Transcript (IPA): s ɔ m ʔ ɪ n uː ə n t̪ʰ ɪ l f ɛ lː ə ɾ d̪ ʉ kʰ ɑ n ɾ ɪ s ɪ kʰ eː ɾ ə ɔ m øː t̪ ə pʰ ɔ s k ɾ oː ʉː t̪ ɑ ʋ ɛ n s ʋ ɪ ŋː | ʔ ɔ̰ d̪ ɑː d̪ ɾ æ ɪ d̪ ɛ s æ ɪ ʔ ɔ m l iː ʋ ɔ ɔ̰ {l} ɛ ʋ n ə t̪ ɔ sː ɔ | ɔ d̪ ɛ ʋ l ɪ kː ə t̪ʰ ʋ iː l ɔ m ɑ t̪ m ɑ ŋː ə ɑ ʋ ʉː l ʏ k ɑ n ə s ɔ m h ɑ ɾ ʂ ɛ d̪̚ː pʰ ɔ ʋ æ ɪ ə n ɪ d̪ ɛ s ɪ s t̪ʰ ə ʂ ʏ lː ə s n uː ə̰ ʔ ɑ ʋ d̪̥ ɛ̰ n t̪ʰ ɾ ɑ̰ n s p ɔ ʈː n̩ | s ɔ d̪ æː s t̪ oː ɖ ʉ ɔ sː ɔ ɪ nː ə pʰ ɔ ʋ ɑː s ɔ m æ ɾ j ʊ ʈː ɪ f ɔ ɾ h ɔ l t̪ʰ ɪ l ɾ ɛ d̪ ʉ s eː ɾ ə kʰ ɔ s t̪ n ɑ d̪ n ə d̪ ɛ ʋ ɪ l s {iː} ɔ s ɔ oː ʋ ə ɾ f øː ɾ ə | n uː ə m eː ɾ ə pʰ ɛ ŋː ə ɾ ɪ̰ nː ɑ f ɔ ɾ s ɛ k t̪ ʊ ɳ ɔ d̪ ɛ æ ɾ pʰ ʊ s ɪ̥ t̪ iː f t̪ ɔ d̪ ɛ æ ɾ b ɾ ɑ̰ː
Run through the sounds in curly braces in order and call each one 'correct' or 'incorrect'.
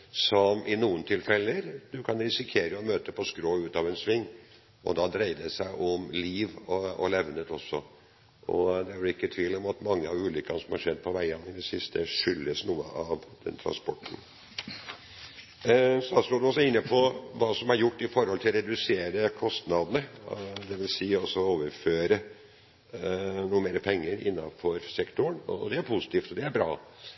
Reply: correct, correct

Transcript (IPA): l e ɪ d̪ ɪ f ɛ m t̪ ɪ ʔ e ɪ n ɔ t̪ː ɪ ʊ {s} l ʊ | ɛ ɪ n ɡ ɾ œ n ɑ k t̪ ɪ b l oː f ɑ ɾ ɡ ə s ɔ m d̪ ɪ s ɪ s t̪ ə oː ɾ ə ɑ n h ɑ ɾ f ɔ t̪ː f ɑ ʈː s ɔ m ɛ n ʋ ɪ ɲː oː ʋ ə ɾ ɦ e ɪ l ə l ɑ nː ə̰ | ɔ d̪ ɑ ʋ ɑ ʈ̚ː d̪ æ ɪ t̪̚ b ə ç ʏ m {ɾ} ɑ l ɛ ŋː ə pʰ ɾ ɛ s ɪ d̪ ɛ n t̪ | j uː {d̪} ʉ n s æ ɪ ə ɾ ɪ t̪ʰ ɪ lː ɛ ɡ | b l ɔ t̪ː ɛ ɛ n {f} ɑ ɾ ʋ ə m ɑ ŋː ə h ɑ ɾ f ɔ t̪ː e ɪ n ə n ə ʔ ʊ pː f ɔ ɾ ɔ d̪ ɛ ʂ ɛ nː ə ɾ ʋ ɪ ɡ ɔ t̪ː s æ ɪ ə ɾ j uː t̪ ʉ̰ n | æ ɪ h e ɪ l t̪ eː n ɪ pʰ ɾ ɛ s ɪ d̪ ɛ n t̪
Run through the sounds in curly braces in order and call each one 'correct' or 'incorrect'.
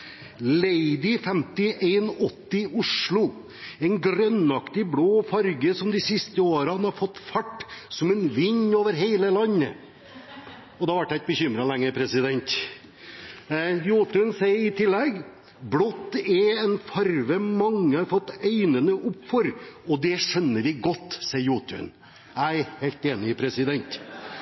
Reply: incorrect: ʂ, correct, incorrect: t̪, correct

